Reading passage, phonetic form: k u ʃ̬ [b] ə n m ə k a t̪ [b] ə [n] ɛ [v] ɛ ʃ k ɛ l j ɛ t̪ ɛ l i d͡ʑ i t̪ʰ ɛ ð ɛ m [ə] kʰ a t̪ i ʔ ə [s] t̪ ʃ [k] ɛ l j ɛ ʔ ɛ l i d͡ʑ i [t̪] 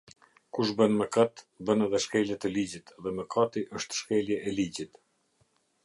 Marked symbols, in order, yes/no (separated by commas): yes, yes, yes, no, yes, no, yes, yes